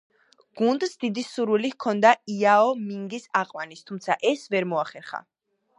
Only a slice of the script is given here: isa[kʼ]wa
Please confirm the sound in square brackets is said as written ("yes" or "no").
no